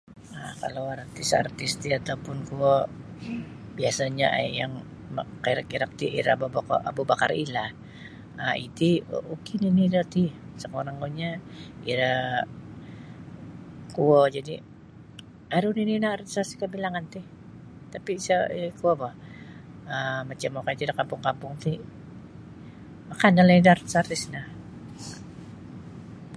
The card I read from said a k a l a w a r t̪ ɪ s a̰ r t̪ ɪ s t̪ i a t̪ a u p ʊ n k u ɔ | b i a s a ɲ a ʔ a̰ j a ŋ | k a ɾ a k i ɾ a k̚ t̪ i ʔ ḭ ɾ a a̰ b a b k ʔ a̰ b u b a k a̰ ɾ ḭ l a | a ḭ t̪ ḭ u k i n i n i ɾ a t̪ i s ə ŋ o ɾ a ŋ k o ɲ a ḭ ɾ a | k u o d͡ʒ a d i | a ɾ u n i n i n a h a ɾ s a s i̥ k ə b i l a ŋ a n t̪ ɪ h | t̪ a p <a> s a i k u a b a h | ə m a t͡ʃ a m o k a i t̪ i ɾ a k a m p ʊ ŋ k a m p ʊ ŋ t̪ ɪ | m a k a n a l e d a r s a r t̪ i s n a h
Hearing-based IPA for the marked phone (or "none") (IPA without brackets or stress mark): i